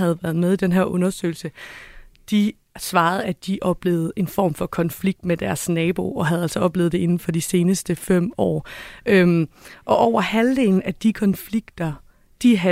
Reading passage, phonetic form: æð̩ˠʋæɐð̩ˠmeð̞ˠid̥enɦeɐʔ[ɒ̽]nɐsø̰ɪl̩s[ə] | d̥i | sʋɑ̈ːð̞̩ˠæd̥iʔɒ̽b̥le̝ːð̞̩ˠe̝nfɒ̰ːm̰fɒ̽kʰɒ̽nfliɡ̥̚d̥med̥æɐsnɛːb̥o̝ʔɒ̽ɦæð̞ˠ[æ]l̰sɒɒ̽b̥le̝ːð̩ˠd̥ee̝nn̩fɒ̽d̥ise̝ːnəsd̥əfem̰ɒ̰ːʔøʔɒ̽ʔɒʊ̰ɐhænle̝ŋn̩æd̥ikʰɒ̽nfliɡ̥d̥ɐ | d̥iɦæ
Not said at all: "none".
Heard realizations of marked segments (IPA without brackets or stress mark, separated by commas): ɔ̽, ə, æ